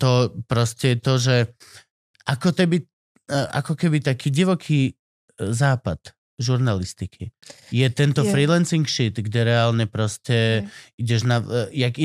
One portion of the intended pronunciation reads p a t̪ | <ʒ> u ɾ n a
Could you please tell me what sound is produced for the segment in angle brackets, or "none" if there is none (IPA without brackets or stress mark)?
ʒ